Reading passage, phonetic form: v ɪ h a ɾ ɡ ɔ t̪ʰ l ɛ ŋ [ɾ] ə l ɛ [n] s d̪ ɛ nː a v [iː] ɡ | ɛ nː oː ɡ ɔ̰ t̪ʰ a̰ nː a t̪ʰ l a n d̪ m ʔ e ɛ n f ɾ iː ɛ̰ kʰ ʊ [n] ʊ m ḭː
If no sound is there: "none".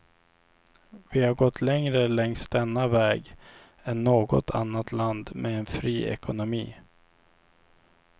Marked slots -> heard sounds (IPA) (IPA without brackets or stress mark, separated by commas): ɾ, ŋ, ɛː, n